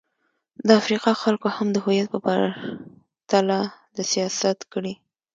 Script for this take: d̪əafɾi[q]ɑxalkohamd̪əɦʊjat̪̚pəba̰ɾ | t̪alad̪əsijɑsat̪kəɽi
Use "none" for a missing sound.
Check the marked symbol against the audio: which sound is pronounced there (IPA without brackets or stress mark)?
q